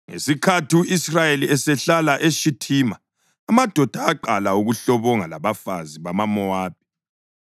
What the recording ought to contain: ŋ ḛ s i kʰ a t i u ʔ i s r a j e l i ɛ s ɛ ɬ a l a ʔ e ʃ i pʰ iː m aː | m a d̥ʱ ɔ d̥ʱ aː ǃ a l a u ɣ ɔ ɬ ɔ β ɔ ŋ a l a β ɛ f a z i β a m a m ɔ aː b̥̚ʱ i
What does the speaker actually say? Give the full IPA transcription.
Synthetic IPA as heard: ŋ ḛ s i kʰ a t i u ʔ i s r a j e l i ɛ s ɛ ɬ a l a ʔ e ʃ i tʰ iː m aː | m a d̥ʱ ɔ d̥ʱ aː ǃ a l a u ɣ u ɬ ɔ β ɔ ŋ a l a β a f a z i β a m a m ɔ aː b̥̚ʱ i